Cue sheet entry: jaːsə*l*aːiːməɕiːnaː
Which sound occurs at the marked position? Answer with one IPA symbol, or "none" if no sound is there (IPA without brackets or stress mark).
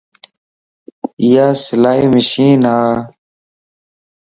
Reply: l